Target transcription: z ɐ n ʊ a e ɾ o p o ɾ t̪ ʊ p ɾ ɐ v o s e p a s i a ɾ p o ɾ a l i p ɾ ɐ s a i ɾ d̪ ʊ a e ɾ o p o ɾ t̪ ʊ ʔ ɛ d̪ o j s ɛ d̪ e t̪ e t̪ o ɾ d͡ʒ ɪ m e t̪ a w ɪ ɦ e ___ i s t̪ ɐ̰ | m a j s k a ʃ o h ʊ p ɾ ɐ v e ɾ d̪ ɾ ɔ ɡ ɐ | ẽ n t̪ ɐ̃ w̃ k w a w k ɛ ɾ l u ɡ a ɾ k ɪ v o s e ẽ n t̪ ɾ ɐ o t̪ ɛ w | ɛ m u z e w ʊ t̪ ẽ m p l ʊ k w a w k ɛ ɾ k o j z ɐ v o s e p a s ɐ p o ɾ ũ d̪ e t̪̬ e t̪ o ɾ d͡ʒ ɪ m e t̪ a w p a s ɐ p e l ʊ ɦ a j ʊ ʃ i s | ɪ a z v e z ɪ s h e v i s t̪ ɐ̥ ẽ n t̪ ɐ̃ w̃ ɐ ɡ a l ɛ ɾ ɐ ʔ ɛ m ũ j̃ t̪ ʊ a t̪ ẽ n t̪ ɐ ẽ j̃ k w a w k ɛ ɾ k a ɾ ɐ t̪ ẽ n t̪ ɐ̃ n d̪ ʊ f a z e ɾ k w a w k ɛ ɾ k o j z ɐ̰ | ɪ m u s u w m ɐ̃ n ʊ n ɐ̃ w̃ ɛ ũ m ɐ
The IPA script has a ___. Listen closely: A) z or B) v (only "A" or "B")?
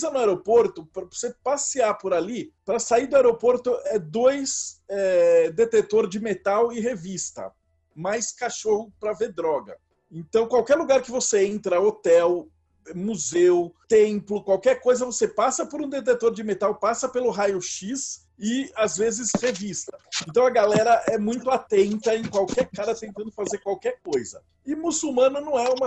B